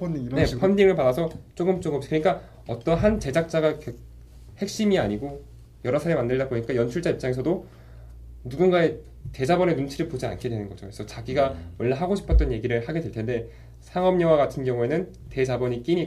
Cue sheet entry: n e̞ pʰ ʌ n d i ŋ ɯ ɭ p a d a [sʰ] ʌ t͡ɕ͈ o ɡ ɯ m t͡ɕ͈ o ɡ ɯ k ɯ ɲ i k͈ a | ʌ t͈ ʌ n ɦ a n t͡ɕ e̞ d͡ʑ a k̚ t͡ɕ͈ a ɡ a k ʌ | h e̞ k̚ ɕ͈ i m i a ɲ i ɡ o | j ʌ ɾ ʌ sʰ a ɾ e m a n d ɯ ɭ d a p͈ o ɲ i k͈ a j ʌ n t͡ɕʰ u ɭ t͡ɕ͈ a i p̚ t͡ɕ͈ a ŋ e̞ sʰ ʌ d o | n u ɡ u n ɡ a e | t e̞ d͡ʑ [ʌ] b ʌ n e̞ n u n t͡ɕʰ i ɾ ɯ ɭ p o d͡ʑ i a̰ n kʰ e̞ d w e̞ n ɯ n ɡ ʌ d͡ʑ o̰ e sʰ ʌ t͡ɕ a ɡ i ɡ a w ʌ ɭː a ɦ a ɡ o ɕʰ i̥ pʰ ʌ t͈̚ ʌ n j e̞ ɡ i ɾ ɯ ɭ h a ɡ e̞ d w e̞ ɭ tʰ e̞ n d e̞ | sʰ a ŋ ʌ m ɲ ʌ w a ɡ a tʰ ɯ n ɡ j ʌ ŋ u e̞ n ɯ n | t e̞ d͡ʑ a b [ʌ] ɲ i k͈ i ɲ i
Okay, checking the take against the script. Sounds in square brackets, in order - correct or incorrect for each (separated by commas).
correct, incorrect, correct